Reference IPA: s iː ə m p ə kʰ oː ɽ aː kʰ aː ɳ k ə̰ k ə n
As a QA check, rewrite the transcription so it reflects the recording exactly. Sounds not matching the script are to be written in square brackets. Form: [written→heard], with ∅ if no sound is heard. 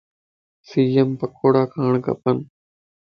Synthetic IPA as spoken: s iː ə m p ə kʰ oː ɽ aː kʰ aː ɳ k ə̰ [k→p] ə n